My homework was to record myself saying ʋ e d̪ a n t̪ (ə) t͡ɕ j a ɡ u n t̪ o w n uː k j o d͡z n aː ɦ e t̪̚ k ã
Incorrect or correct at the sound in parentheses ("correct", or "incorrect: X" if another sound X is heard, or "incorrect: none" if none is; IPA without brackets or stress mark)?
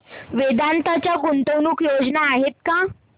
incorrect: a